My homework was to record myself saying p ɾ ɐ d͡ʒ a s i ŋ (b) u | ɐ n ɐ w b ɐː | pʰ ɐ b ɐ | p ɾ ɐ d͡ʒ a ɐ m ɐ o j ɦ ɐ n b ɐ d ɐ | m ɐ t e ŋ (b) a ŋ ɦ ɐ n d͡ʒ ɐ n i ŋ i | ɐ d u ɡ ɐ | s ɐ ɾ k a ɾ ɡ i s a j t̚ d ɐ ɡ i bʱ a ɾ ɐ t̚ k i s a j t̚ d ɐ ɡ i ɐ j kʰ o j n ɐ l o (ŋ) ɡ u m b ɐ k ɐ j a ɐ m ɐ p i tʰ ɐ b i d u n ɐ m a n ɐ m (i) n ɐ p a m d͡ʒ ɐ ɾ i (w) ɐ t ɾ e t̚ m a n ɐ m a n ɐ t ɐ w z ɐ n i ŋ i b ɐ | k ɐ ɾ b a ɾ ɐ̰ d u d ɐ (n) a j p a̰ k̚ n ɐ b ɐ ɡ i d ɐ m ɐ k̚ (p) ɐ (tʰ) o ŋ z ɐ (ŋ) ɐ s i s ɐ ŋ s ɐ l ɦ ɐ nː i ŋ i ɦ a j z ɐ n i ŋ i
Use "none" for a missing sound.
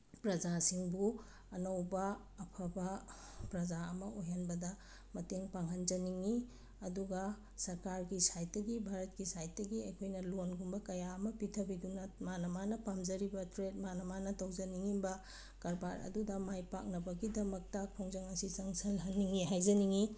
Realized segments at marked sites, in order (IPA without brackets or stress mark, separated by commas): b, p, n, a, b, m, t, pʰ, ŋ